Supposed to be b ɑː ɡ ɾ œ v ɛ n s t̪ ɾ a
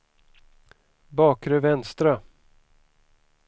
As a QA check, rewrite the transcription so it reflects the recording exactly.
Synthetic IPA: b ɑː k ɾ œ v ɛ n s t̪ ɾ a